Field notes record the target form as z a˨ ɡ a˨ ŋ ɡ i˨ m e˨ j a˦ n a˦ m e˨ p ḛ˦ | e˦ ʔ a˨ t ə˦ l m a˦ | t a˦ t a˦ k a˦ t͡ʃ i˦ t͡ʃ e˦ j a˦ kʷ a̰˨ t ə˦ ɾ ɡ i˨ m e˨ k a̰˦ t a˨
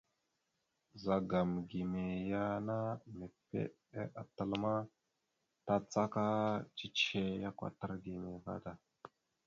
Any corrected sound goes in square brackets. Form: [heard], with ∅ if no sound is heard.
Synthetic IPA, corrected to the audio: z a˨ ɡ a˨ [m] ɡ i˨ m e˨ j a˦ n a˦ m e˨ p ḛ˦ | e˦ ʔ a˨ t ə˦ l m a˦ | t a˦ [t͡s] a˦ k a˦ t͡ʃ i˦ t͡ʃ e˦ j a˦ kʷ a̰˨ t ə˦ ɾ ɡ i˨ m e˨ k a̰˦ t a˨